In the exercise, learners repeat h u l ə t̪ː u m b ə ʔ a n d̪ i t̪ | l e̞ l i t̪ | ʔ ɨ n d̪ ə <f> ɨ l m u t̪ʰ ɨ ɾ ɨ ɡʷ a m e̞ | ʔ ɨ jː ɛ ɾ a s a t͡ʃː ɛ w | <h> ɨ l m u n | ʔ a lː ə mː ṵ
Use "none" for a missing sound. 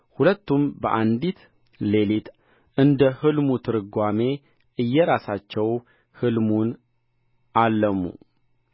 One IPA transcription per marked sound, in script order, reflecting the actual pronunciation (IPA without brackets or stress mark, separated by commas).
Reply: h, h